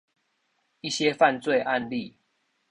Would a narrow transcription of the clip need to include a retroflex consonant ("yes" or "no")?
no